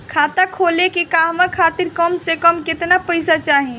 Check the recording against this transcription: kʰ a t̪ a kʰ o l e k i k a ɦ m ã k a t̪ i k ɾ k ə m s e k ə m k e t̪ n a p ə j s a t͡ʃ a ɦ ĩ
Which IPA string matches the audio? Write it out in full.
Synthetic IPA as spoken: kʰ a t̪ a kʰ o l e k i k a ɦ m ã kʰ a t̪ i ɾ k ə m s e k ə m k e t̪ n a p ə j s a t͡ʃ a ɦ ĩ